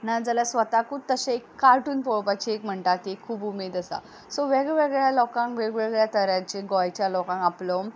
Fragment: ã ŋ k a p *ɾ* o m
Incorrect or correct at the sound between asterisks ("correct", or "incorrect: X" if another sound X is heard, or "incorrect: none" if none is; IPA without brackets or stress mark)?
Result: incorrect: l